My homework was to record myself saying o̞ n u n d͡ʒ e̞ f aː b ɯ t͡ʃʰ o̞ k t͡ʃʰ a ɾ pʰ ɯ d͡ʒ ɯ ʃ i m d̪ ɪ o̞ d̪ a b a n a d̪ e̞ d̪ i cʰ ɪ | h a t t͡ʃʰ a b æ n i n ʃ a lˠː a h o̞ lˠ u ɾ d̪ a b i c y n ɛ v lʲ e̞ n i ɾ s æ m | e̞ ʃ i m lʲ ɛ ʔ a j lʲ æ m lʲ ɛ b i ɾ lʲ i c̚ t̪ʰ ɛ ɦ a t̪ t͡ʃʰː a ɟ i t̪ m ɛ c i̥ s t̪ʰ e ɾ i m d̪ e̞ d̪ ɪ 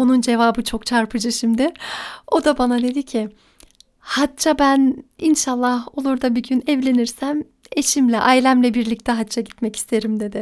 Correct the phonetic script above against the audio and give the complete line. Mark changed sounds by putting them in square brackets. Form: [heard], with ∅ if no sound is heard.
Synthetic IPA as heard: o̞ n u n d͡ʒ e̞ [v] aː b ɯ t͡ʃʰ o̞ k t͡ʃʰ a ɾ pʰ ɯ d͡ʒ ɯ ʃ i m d̪ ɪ o̞ d̪ a b a n a d̪ e̞ d̪ i cʰ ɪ | h a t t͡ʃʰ a b æ n i n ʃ a lˠː a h o̞ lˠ u ɾ d̪ a b i [ɟ] y n ɛ v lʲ e̞ n i ɾ s æ m | e̞ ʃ i m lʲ ɛ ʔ a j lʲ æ m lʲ ɛ b i ɾ lʲ i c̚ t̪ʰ ɛ ɦ a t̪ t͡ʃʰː a ɟ i t̪ m ɛ c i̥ s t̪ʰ e ɾ i m d̪ e̞ d̪ ɪ